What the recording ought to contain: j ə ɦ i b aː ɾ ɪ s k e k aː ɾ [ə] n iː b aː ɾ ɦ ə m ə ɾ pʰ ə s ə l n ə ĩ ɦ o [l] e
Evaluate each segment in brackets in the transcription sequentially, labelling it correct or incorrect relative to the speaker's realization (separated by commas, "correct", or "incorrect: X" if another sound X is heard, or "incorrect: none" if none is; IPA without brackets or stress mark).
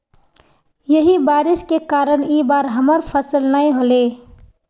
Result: correct, correct